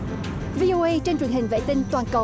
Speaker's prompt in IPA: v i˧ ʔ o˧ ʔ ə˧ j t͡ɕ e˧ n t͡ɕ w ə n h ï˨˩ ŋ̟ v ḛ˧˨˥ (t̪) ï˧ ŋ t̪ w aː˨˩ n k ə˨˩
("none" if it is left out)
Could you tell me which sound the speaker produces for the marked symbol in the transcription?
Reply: t̪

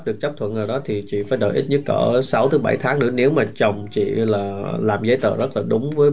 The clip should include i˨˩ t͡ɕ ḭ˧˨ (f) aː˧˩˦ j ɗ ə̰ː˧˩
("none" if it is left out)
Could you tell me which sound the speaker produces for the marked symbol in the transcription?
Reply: f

